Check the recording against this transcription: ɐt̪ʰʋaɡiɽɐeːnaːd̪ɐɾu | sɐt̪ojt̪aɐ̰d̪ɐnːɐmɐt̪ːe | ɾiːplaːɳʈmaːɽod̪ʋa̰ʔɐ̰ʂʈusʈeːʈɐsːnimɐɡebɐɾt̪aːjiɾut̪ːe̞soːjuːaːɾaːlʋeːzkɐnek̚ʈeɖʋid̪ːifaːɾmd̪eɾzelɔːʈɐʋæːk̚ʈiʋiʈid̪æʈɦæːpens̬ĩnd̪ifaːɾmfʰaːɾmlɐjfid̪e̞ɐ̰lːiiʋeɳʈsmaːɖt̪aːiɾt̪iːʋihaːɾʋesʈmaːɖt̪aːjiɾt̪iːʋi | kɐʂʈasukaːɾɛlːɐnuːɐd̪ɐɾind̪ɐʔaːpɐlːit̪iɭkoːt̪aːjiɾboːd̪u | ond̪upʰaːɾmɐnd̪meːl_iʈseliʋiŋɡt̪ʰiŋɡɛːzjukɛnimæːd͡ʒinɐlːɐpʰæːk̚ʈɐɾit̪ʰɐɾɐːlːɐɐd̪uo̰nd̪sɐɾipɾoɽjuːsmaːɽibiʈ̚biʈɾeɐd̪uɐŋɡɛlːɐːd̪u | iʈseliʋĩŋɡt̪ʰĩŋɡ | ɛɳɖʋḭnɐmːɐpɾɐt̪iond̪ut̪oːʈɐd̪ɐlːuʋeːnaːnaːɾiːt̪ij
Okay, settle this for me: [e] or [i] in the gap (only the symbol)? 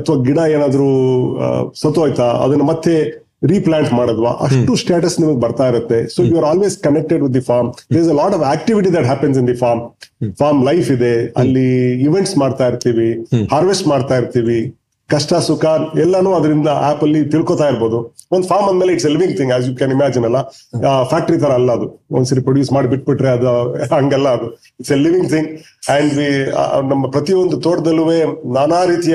e